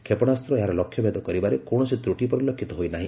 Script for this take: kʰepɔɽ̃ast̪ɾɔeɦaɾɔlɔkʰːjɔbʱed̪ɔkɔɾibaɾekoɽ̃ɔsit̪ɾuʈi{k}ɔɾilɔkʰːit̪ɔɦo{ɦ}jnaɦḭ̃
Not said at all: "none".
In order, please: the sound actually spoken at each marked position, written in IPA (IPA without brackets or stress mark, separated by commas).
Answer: p, none